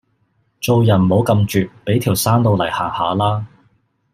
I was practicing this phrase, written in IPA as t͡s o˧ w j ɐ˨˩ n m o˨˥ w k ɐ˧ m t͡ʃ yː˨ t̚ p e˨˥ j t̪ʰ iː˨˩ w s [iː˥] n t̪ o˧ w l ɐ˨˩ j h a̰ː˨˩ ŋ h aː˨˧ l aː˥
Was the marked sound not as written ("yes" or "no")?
yes